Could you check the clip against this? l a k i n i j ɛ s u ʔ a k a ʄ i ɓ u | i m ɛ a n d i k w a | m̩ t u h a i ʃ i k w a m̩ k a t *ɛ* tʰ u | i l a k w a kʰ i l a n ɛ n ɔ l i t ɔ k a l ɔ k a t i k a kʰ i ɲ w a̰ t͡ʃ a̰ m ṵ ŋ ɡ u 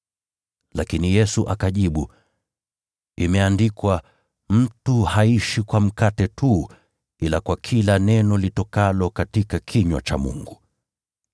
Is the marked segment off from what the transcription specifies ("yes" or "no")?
no